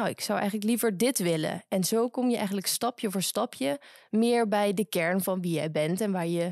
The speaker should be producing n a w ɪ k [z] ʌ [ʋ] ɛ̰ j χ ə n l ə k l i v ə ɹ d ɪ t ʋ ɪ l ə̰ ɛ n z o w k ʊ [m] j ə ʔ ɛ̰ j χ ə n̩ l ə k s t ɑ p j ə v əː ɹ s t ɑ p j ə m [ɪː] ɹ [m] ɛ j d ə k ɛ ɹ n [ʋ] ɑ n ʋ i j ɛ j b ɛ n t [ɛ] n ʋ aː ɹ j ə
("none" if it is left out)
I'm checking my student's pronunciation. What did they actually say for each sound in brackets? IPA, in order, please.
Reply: s, w, m, ɪː, b, v, ɛ

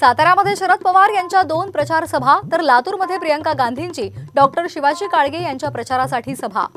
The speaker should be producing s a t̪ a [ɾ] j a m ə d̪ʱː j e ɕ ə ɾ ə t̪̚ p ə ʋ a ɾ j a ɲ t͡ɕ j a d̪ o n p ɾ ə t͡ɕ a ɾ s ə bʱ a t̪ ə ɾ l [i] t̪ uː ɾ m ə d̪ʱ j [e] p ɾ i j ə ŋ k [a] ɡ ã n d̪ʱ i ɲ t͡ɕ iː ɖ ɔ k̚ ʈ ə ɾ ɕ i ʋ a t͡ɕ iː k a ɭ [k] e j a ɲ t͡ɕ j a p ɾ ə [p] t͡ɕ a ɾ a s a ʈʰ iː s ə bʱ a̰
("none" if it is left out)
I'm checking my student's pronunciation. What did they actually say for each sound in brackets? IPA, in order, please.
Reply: ɾ, a, e, a, ɡ, none

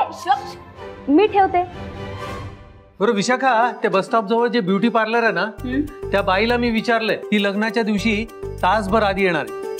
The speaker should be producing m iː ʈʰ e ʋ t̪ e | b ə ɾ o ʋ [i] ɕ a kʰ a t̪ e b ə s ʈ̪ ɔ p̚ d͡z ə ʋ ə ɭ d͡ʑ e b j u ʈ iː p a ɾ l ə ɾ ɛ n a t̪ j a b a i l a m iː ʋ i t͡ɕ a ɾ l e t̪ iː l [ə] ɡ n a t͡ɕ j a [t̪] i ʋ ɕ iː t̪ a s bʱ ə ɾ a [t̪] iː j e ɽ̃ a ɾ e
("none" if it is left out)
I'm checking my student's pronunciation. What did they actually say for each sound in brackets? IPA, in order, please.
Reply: i, ə, d̪, d̪

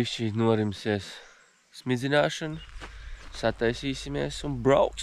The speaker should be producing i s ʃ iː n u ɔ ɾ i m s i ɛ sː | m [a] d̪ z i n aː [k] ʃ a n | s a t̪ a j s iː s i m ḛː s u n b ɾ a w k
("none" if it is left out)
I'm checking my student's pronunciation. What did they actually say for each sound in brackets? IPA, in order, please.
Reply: i, none

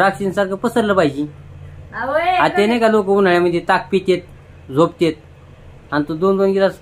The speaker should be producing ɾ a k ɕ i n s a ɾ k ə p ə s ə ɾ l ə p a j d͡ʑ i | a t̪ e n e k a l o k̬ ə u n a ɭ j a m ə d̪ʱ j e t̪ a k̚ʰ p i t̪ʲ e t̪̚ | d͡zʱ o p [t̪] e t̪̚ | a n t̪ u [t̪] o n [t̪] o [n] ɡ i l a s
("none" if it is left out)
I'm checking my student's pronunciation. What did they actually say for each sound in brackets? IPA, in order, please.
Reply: t̪, d̪, d̪, n

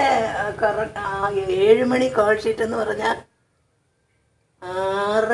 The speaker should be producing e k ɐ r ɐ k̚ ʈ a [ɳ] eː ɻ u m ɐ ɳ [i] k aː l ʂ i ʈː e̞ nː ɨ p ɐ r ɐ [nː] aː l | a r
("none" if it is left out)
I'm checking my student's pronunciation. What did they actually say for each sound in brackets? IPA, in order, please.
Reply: none, i, ɲː

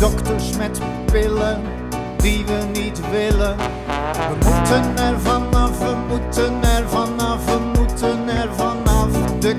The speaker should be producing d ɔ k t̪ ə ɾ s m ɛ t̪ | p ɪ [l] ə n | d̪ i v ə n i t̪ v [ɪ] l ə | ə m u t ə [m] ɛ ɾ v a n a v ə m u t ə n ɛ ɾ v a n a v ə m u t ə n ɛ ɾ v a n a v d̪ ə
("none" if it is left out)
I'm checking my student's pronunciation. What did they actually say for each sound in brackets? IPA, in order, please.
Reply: l, ɪ, n

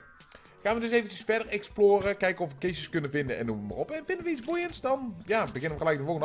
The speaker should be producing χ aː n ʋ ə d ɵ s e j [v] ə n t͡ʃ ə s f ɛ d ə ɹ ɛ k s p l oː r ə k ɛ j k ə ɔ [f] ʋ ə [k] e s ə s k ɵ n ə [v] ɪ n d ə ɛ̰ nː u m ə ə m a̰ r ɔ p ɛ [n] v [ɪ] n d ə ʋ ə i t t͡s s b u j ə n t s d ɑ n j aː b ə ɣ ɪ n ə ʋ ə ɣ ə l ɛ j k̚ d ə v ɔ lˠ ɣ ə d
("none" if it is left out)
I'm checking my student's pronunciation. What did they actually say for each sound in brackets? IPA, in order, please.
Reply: v, f, k, v, n, ɪ

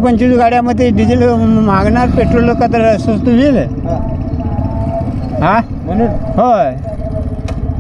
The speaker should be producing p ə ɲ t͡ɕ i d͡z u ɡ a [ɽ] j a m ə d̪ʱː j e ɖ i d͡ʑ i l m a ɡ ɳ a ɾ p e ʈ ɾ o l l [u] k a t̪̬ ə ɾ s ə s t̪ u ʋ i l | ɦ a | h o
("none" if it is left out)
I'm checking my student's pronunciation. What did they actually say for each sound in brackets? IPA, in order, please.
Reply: ɽ, o

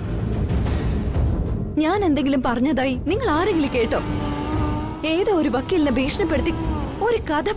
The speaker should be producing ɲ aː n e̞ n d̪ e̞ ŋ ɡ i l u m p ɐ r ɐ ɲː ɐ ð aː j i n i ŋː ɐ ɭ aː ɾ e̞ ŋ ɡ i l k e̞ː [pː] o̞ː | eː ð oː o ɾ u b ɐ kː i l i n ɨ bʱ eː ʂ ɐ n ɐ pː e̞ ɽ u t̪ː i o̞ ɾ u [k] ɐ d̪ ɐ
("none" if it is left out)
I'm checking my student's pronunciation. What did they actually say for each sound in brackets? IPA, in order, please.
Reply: ʈː, k

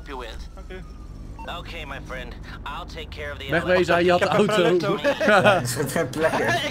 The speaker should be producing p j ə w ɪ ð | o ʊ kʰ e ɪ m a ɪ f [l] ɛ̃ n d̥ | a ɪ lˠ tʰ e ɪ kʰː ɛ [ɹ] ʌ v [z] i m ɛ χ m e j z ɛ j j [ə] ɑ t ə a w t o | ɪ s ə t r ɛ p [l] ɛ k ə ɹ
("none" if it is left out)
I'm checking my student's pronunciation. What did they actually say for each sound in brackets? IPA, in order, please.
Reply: ɹ, ɹ, ð, ə, l

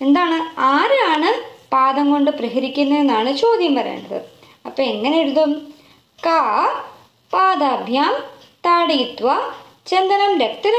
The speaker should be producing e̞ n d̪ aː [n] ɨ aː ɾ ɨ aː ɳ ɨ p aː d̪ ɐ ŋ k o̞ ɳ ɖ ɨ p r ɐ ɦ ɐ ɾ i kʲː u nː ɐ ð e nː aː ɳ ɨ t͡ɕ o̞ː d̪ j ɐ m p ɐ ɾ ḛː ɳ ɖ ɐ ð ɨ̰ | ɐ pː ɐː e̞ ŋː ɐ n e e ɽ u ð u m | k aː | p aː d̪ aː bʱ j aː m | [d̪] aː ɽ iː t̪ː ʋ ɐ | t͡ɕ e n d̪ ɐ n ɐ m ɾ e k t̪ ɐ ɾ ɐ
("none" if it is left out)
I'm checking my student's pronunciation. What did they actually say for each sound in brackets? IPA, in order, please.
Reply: ɳ, t̪

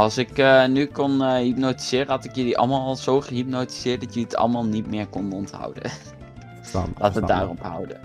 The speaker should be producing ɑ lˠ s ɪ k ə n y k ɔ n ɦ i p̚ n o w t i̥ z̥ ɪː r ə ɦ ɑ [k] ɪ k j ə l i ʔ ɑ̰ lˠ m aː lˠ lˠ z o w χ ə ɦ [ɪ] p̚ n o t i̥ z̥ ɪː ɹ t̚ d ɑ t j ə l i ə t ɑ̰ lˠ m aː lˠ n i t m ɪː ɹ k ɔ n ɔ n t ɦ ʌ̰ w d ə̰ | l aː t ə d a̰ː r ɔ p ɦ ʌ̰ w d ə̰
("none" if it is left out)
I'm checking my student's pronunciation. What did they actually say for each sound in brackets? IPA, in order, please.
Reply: t, i

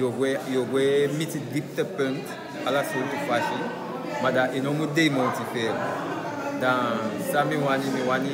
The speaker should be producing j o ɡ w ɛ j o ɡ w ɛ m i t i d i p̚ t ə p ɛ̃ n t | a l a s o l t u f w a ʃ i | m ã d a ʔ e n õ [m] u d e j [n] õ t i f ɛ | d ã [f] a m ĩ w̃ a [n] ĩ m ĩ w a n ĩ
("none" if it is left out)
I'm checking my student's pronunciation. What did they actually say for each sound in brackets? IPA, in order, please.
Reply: m, m, s, n

